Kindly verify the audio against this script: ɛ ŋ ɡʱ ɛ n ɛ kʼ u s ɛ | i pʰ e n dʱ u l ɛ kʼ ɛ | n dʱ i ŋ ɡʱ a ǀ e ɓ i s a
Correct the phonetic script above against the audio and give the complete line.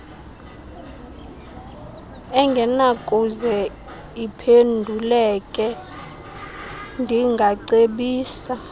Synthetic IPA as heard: ɛ ŋ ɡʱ ɛ n a kʼ u z ɛ | i pʰ e n dʱ u l ɛ kʼ ɛ | n dʱ i ŋ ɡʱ a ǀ e ɓ iː s a

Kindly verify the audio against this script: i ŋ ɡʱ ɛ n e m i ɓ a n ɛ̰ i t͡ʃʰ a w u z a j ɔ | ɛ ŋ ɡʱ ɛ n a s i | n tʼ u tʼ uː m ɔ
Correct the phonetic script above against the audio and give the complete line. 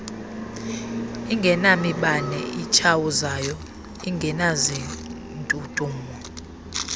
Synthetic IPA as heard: i ŋ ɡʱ ɛ n a m i ɓ a n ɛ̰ i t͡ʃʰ a w u z a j ɔ | i ŋ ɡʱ ɛ n a z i | n tʼ u tʼ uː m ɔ

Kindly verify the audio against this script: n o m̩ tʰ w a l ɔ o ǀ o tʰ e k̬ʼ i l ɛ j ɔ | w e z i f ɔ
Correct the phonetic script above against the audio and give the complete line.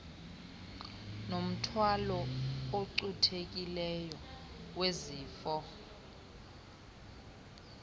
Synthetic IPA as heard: n o m̩ tʰ w a l ɔ o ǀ u tʰ e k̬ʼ i l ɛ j ɔ | w e z iː f ɔ

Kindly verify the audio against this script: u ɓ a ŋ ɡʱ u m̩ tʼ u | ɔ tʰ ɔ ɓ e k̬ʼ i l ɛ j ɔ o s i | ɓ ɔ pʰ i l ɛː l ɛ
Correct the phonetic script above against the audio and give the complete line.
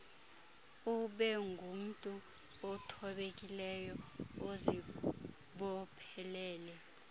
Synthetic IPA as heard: u ɓ ɛ ŋ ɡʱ u m̩ tʼ u | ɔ tʰ ɔ ɓ e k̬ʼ i l ɛ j ɔ o z i | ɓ ɔ pʰ ɛ l ɛː l ɛ

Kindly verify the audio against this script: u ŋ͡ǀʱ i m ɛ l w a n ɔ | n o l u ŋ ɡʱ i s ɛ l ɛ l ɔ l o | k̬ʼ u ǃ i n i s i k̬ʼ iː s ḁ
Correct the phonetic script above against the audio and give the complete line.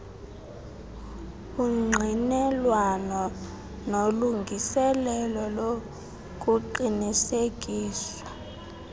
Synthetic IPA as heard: u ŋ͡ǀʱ i n ɛ l w a n ɔ | n o l u ŋ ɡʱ i s ɛ l ɛ l ɔ l o | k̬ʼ u ǃ i n i s e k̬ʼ iː s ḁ

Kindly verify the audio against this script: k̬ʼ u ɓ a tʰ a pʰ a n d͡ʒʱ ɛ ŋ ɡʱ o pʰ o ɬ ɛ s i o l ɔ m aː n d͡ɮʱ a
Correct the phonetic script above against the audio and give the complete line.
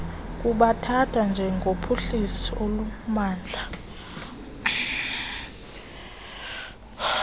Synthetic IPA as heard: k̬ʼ u ɓ a tʰ a tʰ a n d͡ʒʱ ɛ ŋ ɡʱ o pʰ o ɬ i s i o l u m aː n d͡ɮʱ a

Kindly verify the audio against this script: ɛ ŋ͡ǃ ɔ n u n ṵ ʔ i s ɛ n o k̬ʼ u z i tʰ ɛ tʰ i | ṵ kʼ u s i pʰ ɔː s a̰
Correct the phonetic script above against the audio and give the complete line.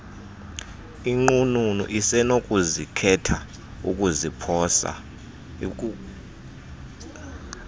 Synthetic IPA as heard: i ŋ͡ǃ u n u n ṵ ʔ i s ɛ n o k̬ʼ u z i kʰ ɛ tʰ a | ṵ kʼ u z i pʰ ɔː s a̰

